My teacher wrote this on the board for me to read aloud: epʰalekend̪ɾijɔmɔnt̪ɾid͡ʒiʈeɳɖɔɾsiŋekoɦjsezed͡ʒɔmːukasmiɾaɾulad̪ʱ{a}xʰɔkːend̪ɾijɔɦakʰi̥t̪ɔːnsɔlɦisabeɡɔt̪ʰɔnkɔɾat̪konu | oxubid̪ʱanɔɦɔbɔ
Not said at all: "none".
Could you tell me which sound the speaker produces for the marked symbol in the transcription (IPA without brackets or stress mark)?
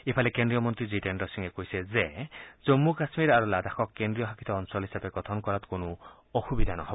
a